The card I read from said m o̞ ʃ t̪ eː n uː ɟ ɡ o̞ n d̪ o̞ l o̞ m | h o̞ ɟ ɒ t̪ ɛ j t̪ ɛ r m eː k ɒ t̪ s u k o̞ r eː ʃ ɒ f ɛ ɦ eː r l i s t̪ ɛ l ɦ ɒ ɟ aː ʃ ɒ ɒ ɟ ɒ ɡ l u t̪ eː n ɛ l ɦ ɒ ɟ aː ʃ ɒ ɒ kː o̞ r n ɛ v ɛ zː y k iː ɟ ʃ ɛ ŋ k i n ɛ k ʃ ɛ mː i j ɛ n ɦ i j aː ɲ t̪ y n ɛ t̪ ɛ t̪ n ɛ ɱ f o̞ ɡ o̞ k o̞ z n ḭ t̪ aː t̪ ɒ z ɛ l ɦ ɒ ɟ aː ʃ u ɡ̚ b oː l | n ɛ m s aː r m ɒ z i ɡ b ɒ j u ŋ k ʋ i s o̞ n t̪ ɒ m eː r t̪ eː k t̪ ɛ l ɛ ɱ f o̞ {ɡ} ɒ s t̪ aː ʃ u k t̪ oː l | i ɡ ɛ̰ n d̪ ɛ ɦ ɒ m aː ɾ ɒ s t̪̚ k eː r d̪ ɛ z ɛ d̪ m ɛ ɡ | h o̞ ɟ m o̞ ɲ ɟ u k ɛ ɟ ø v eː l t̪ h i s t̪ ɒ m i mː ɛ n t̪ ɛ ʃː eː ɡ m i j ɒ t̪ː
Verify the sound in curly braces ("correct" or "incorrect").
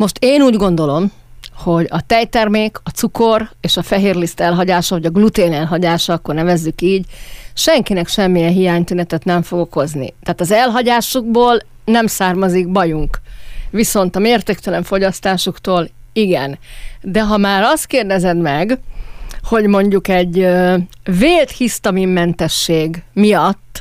incorrect